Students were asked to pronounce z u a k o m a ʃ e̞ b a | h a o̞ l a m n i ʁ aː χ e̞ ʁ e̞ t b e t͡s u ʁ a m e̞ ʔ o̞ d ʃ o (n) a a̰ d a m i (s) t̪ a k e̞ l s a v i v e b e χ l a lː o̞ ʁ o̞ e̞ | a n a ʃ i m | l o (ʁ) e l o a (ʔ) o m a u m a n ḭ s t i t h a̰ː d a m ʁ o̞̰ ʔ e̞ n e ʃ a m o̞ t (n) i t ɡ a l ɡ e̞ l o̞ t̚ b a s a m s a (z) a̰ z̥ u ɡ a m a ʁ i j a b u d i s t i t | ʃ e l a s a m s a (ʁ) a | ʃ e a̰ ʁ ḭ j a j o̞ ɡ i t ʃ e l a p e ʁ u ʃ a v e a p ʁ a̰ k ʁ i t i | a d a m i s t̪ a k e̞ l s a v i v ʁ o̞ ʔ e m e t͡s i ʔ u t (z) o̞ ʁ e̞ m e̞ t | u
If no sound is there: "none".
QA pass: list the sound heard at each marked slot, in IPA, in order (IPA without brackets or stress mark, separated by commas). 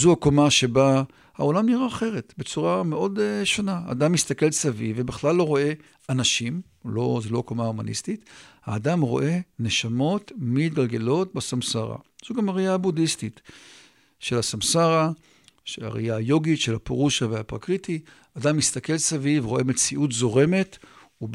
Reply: n, s, z, k, m, ʁ, ʁ, z